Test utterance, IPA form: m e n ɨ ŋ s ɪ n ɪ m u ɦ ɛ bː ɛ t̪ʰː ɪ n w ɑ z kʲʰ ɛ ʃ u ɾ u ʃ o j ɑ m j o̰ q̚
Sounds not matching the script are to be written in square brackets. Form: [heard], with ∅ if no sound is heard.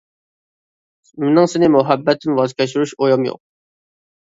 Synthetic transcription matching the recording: m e n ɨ ŋ s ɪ n ɪ m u ɦ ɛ bː ɛ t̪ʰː ɪ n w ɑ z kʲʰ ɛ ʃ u ɾ u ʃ o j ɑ m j o̰ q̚